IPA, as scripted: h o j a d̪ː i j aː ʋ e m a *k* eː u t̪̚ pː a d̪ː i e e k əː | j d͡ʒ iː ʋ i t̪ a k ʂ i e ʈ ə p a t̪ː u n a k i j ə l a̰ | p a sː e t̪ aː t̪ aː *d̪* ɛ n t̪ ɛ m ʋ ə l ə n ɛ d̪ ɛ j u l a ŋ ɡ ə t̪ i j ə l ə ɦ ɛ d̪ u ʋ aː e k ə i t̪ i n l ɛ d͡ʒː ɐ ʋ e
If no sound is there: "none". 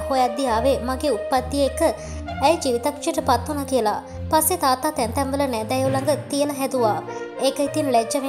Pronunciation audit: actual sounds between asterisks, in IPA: ɡ, t̪

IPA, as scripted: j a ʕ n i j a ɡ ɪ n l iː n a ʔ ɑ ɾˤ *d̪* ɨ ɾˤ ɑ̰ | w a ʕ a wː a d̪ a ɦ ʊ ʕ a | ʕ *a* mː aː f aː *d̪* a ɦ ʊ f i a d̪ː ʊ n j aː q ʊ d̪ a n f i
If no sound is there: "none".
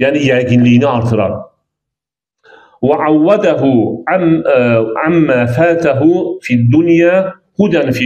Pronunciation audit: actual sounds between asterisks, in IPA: t̪, a, t̪

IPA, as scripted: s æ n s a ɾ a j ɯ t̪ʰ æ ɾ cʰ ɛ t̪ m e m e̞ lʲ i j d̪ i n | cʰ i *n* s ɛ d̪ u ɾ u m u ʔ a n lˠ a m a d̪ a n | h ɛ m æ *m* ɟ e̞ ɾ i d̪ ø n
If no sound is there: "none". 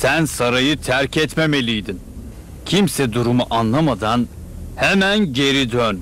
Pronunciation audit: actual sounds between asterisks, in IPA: m, n

